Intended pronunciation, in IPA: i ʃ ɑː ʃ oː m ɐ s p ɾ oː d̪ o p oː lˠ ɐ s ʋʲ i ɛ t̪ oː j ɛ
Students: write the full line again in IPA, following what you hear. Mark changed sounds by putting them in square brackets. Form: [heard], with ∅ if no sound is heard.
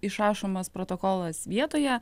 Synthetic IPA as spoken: [ɪ] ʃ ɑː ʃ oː m ɐ s p ɾ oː [t̪] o [k] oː lˠ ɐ s ʋʲ i ɛ t̪ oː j ɛ